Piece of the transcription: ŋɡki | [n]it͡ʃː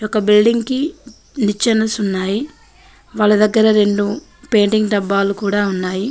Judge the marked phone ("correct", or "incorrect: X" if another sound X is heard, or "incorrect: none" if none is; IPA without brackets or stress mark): correct